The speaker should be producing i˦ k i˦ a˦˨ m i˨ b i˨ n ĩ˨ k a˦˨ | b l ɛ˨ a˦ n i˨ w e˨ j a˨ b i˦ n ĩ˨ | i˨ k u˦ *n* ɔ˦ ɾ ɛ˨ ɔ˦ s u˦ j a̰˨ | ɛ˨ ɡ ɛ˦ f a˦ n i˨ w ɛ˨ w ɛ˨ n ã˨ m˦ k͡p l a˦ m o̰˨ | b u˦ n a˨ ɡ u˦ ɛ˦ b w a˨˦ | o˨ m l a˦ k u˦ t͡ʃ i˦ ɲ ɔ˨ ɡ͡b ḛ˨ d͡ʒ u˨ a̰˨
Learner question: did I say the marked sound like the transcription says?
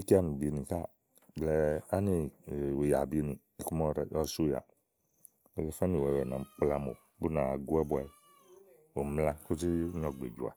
no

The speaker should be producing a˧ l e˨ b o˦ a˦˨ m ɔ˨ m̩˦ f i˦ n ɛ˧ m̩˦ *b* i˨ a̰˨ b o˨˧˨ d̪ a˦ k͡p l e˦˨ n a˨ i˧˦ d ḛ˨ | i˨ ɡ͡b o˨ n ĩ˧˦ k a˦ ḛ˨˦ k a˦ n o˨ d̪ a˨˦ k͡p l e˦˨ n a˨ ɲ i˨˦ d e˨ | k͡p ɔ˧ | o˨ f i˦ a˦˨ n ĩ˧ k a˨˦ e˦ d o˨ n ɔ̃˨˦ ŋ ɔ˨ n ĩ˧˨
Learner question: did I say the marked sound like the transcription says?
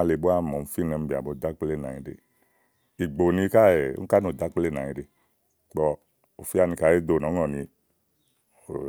yes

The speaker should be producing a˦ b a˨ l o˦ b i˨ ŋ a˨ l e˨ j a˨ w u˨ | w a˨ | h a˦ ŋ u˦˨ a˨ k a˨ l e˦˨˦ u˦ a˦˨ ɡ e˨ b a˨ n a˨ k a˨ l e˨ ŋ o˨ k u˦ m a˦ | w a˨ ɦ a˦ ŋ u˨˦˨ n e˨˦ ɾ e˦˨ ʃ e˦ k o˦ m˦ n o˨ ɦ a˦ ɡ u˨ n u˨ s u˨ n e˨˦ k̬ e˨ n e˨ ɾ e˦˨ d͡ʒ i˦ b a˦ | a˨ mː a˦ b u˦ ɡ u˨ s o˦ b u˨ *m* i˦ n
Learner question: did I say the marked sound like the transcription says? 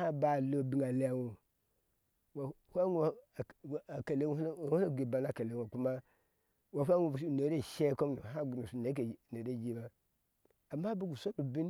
no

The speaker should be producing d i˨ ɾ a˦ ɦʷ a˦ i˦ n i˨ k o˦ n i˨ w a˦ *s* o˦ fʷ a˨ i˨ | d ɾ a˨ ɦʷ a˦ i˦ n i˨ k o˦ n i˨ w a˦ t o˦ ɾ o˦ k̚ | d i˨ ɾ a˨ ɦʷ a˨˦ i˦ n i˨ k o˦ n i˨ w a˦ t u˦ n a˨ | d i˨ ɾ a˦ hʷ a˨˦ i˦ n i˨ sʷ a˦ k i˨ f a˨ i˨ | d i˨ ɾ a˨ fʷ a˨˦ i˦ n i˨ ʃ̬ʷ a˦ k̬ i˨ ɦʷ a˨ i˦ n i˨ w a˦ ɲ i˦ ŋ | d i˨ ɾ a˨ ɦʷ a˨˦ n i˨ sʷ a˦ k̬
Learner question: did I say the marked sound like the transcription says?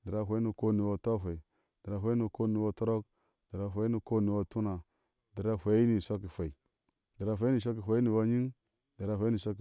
no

